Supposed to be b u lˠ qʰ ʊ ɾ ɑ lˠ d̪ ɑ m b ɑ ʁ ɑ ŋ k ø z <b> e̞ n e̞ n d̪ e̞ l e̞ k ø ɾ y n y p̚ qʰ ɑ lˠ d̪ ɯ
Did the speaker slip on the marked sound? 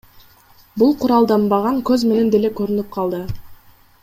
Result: yes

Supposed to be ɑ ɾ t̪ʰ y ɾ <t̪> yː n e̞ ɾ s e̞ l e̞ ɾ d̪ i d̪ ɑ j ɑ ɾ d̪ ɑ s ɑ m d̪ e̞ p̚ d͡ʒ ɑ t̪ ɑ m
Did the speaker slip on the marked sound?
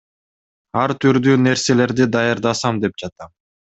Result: yes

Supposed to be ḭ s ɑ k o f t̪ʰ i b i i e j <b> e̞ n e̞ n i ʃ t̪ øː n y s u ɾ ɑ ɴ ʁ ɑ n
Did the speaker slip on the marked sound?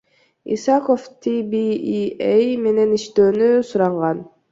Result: yes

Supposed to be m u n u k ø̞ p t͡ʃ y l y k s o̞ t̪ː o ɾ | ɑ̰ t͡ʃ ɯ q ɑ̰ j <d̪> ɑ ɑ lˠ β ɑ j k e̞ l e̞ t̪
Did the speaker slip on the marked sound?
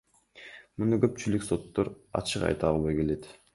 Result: yes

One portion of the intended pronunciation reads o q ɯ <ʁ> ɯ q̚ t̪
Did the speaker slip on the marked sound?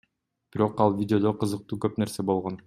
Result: yes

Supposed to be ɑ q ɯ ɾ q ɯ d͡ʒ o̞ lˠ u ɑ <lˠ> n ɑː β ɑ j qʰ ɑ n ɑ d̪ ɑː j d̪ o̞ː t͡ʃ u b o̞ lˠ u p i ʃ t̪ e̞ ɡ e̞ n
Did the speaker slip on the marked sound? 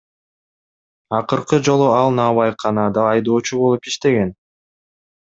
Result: no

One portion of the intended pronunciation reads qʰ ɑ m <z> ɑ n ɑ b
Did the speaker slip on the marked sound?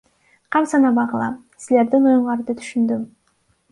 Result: yes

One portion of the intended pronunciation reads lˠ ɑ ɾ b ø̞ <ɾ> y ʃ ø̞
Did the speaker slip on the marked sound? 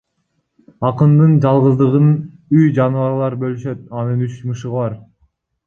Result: yes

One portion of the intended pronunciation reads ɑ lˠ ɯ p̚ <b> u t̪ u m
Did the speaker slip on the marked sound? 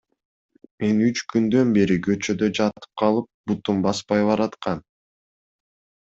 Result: no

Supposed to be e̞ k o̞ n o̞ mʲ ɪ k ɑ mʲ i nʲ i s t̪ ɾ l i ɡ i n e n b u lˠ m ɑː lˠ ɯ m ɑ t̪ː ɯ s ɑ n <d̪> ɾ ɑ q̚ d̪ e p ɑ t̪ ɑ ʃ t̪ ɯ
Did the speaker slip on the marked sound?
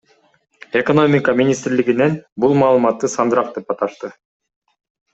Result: no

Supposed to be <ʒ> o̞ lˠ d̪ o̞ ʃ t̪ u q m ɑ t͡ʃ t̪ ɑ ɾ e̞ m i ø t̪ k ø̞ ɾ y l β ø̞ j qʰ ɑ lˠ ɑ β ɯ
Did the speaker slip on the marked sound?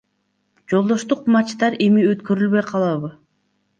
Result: yes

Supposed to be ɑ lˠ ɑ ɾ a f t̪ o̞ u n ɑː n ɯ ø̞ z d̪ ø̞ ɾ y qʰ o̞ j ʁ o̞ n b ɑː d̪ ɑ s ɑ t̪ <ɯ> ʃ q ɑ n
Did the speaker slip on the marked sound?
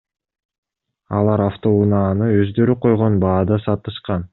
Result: no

